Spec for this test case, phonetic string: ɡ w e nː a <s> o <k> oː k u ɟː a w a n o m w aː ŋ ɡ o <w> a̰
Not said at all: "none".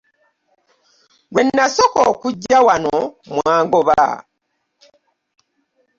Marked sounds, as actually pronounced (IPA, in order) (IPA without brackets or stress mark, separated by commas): s, k, β